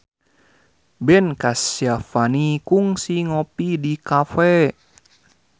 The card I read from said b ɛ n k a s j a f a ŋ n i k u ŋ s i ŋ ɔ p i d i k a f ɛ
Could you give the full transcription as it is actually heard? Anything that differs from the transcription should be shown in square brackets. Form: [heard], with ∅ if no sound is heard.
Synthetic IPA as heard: b ɛ n k a s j a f a [∅] n i k u ŋ s i ŋ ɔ p i d i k a f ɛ